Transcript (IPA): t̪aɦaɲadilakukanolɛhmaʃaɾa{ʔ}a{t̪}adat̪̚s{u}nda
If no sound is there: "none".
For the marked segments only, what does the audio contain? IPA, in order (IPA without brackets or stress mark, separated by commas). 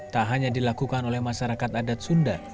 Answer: k, t̪, u